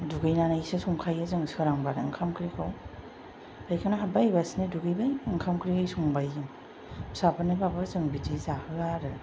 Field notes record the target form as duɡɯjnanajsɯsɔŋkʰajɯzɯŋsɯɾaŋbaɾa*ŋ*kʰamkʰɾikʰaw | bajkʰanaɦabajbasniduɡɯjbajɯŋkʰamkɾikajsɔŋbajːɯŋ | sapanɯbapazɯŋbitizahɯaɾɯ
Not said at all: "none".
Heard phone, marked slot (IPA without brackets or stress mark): ŋ